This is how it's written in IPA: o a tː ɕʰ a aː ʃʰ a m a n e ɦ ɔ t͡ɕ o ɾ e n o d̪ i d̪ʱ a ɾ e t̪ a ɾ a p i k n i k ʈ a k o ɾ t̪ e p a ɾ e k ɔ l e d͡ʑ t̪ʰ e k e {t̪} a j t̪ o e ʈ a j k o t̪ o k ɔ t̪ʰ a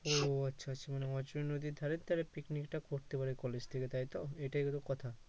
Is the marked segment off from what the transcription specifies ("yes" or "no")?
no